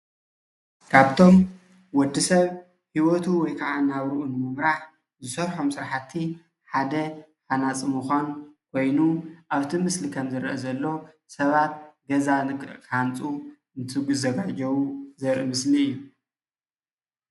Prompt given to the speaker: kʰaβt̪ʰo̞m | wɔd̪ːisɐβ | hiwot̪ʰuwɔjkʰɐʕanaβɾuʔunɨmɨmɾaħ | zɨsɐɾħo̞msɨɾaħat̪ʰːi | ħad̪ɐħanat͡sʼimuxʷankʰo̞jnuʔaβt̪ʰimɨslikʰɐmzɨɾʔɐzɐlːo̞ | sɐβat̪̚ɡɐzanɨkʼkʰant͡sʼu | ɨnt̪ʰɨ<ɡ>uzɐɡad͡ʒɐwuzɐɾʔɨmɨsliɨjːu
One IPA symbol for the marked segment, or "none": ɡ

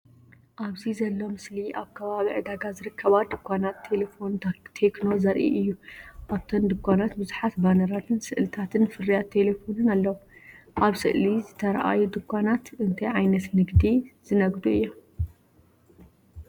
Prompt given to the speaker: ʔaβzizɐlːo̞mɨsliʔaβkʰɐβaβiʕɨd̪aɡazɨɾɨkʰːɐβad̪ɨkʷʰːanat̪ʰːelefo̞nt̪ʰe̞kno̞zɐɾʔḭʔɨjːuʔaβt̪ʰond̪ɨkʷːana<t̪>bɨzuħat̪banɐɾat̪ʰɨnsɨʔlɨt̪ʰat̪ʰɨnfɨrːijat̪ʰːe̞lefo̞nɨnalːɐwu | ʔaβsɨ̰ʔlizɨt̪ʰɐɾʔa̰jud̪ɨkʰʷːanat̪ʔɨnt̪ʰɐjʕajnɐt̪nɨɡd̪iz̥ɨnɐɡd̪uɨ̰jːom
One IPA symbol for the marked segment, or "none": t̪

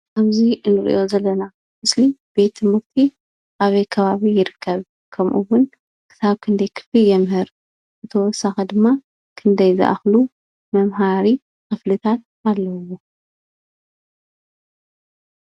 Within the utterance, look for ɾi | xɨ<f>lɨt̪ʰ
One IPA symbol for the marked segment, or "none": f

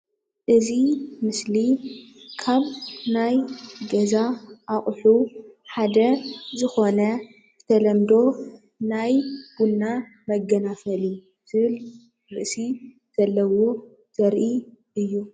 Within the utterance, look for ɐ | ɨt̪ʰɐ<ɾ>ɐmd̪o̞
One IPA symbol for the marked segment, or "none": l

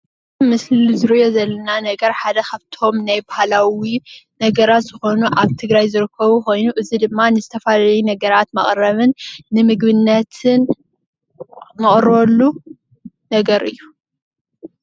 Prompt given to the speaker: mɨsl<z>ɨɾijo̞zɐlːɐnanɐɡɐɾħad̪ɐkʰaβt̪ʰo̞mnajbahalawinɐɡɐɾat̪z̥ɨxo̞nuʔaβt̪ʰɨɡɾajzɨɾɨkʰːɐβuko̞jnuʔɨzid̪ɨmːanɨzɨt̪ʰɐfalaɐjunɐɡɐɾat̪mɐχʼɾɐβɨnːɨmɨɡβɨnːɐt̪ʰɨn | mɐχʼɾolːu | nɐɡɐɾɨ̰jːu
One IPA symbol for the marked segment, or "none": z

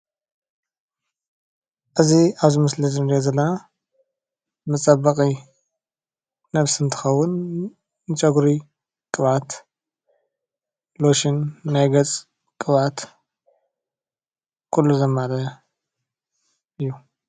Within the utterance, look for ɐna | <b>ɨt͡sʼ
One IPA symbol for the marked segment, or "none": m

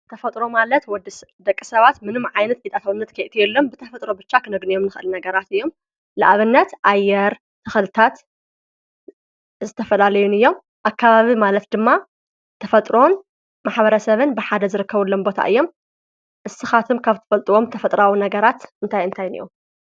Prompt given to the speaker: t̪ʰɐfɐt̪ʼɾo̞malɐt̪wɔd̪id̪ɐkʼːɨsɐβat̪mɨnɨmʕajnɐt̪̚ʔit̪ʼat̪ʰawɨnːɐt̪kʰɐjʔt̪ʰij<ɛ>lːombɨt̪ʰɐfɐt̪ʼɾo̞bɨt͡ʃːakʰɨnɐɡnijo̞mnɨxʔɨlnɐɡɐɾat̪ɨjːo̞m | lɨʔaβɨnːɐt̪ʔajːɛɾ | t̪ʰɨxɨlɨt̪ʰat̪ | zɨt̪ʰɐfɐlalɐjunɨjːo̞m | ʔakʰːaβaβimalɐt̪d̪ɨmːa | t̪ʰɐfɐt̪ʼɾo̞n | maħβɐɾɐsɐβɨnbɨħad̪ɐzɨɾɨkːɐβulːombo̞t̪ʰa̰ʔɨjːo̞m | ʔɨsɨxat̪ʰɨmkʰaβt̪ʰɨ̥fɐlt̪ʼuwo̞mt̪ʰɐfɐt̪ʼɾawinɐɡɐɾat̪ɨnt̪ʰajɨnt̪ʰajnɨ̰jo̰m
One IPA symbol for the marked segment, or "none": ɛ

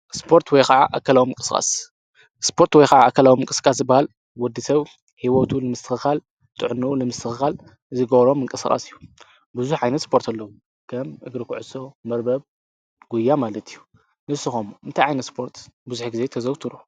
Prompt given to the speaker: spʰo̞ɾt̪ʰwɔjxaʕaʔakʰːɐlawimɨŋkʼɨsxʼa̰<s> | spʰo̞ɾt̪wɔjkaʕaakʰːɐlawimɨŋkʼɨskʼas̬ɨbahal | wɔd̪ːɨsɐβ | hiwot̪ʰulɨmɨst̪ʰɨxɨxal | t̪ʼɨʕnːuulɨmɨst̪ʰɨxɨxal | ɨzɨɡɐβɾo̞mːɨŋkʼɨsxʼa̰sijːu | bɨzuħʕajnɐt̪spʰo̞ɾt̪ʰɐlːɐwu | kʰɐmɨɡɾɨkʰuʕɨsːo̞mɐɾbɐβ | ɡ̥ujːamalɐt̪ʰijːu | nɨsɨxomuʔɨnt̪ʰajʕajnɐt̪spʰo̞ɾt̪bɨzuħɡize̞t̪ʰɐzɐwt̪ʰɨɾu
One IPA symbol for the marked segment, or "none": s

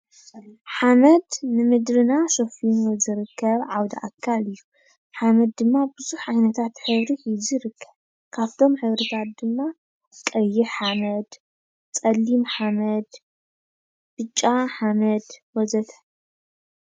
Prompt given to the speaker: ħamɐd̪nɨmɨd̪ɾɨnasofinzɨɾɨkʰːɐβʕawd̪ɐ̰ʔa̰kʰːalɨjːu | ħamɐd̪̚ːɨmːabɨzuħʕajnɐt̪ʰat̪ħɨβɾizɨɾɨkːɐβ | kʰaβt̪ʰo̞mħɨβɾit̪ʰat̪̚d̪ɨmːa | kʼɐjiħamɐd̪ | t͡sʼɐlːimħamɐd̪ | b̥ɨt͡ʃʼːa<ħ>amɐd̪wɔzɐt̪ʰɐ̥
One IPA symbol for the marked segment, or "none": ħ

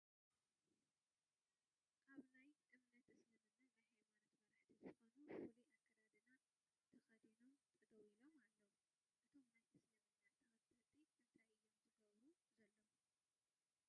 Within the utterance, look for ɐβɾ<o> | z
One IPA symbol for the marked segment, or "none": u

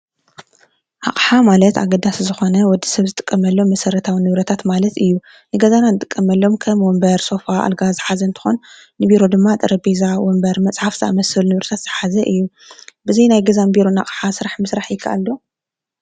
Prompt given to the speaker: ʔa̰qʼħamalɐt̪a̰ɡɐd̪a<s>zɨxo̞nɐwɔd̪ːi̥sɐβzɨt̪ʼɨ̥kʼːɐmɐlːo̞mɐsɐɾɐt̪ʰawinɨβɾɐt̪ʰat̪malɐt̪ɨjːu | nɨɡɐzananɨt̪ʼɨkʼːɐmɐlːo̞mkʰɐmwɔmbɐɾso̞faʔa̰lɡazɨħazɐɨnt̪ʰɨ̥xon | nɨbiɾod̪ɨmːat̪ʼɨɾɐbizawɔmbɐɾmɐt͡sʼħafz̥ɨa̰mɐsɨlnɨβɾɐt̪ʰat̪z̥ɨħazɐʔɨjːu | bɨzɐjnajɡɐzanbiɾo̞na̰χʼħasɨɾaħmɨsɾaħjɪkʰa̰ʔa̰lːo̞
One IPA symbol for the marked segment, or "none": s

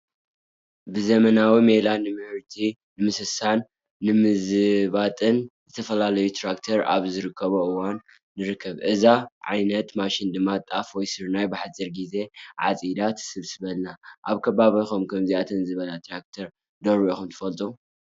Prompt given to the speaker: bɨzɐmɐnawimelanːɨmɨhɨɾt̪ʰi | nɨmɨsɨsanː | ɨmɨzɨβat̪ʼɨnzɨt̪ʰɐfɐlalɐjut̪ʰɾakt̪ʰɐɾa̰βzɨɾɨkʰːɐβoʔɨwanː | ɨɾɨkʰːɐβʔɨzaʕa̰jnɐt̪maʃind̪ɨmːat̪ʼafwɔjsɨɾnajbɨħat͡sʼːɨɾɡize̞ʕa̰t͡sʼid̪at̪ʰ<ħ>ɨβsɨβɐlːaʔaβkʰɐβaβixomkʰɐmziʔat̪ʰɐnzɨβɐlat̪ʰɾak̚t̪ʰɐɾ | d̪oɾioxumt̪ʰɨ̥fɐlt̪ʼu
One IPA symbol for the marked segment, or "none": s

